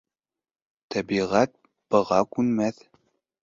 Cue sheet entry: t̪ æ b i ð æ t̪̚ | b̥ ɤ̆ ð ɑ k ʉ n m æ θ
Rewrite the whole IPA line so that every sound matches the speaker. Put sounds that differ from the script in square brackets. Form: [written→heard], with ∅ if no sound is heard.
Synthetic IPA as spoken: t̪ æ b i [ð→ʁ] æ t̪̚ | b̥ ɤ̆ [ð→ʁ] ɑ k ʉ n m æ θ